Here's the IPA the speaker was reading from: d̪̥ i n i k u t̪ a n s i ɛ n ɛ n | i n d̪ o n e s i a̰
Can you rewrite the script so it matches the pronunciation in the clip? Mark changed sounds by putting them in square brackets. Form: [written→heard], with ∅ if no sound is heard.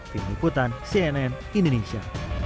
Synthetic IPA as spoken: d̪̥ i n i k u t̪ a n s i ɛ n ɛ n | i n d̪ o n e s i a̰